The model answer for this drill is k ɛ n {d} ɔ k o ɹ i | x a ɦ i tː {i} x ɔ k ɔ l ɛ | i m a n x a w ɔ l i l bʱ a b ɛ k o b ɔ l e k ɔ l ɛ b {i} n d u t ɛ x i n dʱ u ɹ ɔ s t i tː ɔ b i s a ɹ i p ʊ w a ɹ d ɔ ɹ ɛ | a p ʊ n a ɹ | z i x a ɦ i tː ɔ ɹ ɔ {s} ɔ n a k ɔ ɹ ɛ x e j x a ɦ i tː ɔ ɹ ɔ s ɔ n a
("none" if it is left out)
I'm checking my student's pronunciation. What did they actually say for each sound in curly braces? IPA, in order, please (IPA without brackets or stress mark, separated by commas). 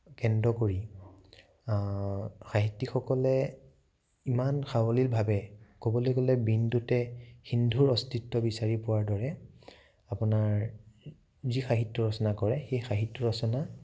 d, i, i, s